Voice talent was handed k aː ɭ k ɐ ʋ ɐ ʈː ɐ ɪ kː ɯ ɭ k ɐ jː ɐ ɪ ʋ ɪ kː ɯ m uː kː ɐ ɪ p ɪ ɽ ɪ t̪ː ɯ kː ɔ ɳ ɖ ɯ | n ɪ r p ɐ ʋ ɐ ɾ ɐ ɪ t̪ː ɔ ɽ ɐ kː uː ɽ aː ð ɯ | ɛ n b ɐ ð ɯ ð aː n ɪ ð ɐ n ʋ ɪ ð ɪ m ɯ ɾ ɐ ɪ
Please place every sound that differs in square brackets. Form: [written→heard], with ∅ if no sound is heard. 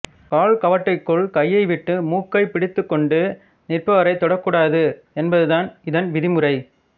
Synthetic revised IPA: k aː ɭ k ɐ ʋ ɐ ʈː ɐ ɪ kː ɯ ɭ k ɐ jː ɐ ɪ ʋ ɪ [kː→ʈː] ɯ m uː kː ɐ ɪ p ɪ ɽ ɪ t̪ː ɯ kː ɔ ɳ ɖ ɯ | n ɪ r p ɐ ʋ ɐ ɾ ɐ ɪ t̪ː ɔ ɽ ɐ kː uː ɽ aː ð ɯ | ɛ n b ɐ ð ɯ ð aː n ɪ ð ɐ n ʋ ɪ ð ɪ m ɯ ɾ ɐ ɪ